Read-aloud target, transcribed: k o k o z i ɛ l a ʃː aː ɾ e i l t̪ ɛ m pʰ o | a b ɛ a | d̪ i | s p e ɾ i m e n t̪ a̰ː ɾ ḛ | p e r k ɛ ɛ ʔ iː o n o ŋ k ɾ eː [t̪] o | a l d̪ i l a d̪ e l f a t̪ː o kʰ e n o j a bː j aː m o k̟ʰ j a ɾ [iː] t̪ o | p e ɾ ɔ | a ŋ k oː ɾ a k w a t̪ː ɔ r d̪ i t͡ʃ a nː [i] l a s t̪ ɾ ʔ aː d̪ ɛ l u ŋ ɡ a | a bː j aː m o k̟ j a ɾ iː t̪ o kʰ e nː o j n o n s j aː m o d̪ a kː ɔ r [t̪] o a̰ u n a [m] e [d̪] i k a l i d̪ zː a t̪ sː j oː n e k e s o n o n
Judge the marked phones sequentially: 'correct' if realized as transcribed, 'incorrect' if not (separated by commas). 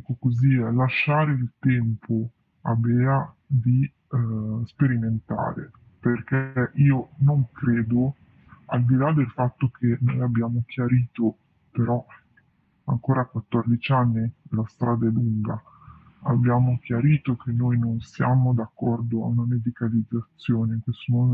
incorrect, correct, correct, incorrect, correct, correct